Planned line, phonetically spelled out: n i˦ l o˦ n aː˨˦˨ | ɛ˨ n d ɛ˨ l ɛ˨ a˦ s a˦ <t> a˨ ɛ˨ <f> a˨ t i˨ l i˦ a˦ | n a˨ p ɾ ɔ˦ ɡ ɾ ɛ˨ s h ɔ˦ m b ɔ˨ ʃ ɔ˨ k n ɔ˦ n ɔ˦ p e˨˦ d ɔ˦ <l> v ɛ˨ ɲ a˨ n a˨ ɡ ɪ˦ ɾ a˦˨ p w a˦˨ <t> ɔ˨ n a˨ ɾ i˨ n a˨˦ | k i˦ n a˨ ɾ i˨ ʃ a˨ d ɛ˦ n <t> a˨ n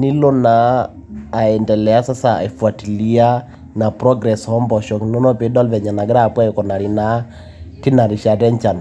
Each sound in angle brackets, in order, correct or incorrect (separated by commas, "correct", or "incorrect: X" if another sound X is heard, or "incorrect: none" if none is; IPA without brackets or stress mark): incorrect: s, correct, correct, incorrect: k, incorrect: t͡ʃ